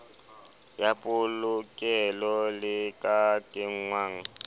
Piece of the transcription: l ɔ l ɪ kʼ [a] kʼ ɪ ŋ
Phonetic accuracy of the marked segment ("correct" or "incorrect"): correct